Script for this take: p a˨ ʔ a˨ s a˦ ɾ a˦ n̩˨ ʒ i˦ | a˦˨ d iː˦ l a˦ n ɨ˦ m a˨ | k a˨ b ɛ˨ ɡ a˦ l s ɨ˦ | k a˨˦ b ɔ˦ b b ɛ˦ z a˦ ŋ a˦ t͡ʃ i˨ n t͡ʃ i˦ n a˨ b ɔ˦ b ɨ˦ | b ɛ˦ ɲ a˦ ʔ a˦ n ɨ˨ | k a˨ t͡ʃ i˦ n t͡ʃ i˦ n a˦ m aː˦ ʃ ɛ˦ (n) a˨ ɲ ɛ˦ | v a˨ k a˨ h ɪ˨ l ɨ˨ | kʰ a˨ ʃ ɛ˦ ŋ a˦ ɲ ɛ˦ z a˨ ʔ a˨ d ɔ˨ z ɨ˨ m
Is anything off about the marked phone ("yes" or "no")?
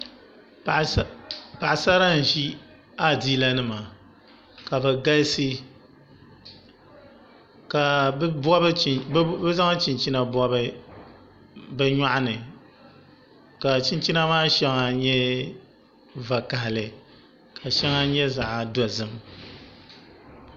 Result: yes